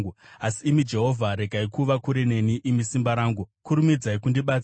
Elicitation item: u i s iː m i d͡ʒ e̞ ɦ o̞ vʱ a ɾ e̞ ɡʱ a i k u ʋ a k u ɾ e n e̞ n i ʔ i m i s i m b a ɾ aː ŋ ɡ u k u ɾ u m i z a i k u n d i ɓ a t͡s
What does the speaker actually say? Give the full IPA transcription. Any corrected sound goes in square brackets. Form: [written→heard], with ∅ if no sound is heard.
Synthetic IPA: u [i→a] s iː m i d͡ʒ e̞ ɦ o̞ vʱ a ɾ e̞ ɡʱ a i k u ʋ a k u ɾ e n e̞ n i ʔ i m i s i m b a ɾ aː ŋ ɡ u k u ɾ u m i [z→d͡z] a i k u n d i ɓ a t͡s

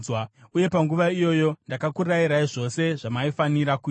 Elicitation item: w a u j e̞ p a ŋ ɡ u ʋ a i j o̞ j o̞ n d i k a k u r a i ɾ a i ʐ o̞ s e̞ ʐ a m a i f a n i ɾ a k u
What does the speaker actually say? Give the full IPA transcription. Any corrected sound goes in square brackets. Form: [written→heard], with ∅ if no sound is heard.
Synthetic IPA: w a u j e̞ p a ŋ ɡ u ʋ a i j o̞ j o̞ n d [i→a] k a k u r a i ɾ a i ʐ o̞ s e̞ ʐ a m a i f a n i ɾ a k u

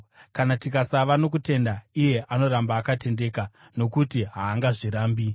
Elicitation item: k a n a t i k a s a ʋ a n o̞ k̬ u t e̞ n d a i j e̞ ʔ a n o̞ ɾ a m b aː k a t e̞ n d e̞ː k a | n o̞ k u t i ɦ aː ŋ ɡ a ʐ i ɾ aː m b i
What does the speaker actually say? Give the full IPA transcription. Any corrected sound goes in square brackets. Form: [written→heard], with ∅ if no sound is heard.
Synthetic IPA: k a n a t i k a s a ʋ a n o̞ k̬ u t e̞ n d a i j e̞ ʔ a n o̞ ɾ a m b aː k a t e̞ n d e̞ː k a | n o̞ k u t i ɦ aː ŋ ɡ a ʐ i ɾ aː m b i

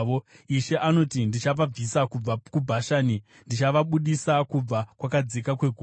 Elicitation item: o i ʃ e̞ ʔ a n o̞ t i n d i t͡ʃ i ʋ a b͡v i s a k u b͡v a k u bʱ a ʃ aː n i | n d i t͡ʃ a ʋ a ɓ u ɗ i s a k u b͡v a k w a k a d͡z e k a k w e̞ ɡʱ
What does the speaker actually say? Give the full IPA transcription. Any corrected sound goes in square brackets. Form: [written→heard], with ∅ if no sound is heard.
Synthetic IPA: o i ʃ e̞ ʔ a n o̞ t i n d i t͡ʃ [i→a] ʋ a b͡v i s a k u b͡v a k u bʱ a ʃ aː n i | n d i t͡ʃ a ʋ a ɓ u ɗ i s a k u b͡v a k w a k a d͡z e k a k w e̞ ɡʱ

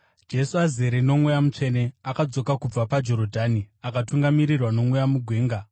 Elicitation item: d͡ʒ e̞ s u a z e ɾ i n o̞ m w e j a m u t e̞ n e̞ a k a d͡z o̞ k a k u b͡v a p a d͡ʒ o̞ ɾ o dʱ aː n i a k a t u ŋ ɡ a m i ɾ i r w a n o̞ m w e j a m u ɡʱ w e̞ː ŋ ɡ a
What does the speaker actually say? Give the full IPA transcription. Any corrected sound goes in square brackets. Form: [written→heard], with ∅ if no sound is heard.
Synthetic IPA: d͡ʒ e̞ s u a z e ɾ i n o̞ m w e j a m u [t→t͡ʂ] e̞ n e̞ a k a d͡z o̞ k a k u b͡v a p a d͡ʒ o̞ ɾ o dʱ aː n i a k a t u ŋ ɡ a m i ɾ i r w a n o̞ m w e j a m u ɡʱ w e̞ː ŋ ɡ a

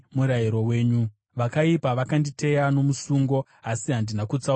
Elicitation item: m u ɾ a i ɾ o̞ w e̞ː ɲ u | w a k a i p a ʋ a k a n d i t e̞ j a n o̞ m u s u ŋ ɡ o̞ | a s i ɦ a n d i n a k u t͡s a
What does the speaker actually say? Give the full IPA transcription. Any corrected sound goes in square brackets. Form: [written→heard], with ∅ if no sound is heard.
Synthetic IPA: m u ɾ a i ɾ o̞ w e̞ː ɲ u | [w→ʋ] a k a i p a ʋ a k a n d i t e̞ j a n o̞ m u s u ŋ ɡ o̞ | a s i ɦ a n d i n a k u t͡s a

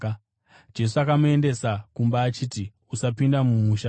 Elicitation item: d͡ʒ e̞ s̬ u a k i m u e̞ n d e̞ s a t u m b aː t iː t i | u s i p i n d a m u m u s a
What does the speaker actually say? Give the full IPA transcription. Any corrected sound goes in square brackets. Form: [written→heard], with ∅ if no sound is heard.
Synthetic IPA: d͡ʒ e̞ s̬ u a k [i→a] m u e̞ n d e̞ s a [t→k] u m b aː [t→t͡ʃ] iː t i | u s [i→a] p i n d a m u m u [s→ʃ] a

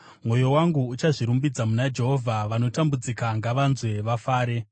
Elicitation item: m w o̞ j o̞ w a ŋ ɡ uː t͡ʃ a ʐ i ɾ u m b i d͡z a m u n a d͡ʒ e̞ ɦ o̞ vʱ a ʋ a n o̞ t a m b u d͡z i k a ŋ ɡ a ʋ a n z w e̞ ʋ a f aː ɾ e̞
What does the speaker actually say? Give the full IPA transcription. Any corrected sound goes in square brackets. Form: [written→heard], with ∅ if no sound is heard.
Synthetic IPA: m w o̞ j o̞ w a ŋ ɡ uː t͡ʃ a ʐ i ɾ u m b i d͡z a m u n a d͡ʒ e̞ ɦ o̞ vʱ a ʋ a n o̞ t a m b u d͡z i k a ŋ ɡ a ʋ a n z w e̞ ʋ a f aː ɾ e̞

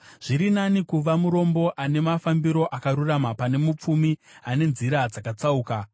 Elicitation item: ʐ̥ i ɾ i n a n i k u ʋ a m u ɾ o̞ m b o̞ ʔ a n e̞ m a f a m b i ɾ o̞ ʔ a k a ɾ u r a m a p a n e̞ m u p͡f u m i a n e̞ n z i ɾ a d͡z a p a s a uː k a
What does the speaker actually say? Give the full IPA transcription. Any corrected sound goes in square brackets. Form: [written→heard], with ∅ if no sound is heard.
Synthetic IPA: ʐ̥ i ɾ i n a n i k u ʋ a m u ɾ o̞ m b o̞ ʔ a n e̞ m a f a m b i ɾ o̞ ʔ a k a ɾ u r a m a p a n e̞ m u p͡f u m i a n e̞ n z i ɾ a d͡z a [p→k] a [s→t͡s] a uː k a

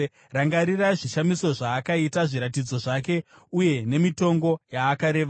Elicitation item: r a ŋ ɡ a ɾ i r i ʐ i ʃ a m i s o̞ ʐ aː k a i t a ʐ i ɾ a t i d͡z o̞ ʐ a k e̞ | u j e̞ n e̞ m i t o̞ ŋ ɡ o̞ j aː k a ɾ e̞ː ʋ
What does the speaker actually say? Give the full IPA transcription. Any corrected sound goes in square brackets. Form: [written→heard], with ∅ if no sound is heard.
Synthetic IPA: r a ŋ ɡ a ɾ i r [i→a] ʐ i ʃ a m i s o̞ ʐ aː k a i t a ʐ i ɾ a t i d͡z o̞ ʐ a k e̞ | u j e̞ n e̞ m i t o̞ ŋ ɡ o̞ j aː k a ɾ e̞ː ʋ

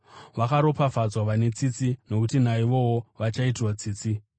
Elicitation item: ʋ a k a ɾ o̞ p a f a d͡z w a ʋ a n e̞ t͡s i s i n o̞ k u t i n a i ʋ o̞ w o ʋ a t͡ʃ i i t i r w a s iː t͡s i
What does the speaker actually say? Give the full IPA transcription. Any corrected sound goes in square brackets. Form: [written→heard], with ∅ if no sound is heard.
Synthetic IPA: ʋ a k a ɾ o̞ p a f a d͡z w a ʋ a n e̞ t͡s i [s→t͡s] i n o̞ k u t i n a i ʋ o̞ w o ʋ a t͡ʃ [i→a] i t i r w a [s→t͡s] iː t͡s i

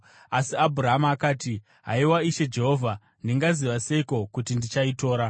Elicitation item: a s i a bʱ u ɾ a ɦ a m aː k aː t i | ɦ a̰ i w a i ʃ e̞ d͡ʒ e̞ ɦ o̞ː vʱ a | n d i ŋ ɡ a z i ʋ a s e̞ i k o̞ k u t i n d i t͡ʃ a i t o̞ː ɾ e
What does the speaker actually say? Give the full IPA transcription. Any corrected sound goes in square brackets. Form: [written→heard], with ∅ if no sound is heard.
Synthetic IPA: a s i a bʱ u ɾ a ɦ a m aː k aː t i | ɦ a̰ i w a i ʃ e̞ d͡ʒ e̞ ɦ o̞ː vʱ a | n d i ŋ ɡ a z i ʋ a s e̞ i k o̞ k u t i n d i t͡ʃ a i t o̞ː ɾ [e→a]

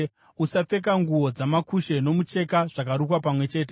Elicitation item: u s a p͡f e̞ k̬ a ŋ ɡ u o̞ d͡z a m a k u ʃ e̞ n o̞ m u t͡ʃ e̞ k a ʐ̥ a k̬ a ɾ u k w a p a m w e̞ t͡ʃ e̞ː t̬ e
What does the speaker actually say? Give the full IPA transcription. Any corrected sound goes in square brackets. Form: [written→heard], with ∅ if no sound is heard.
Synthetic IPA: u s a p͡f e̞ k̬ a ŋ ɡ u o̞ d͡z a m a k u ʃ e̞ n o̞ m u t͡ʃ e̞ k a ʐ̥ a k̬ a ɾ u k w a p a m w e̞ t͡ʃ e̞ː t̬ e

